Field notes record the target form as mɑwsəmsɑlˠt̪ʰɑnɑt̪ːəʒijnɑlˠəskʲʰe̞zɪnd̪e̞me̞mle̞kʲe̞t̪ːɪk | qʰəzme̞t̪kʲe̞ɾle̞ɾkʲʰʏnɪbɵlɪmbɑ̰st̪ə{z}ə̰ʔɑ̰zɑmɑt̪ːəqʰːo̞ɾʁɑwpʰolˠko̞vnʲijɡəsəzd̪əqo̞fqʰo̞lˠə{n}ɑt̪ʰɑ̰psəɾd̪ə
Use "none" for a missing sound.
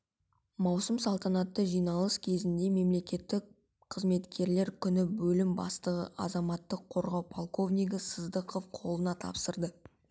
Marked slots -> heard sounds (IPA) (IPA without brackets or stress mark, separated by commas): ʁ, n